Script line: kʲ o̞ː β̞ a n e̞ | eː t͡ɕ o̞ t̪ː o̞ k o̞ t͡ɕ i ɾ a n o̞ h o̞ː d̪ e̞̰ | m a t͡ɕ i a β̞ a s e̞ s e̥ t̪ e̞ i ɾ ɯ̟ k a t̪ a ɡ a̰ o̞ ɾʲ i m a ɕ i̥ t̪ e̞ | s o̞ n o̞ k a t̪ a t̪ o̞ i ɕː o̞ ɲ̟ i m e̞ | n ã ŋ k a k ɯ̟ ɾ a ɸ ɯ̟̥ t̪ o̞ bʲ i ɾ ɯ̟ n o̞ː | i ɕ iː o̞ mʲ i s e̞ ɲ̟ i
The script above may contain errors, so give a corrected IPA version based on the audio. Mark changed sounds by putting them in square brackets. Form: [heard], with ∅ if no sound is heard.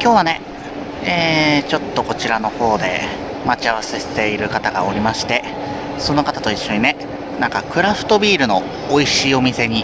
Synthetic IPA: kʲ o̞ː β̞ a n e̞ | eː t͡ɕ o̞ t̪ː o̞ k o̞ t͡ɕ i ɾ a n o̞ h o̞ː d̪ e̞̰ | m a t͡ɕ i a β̞ a s e̞ s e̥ t̪ e̞ i ɾ ɯ̟ k a t̪ a ɡ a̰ o̞ ɾʲ i m a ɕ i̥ t̪ e̞ | s o̞ n o̞ k a t̪ a t̪ o̞ i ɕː o̞ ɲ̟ i [n] e̞ | n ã ŋ k a k ɯ̟ ɾ a ɸ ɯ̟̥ t̪ o̞ bʲ [iː] ɾ ɯ̟ n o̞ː | i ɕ iː o̞ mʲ i s e̞ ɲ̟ i